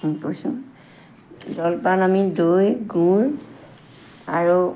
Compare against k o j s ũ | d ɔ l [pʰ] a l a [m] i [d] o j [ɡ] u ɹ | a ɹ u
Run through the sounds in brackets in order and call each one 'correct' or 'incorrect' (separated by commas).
incorrect, correct, correct, correct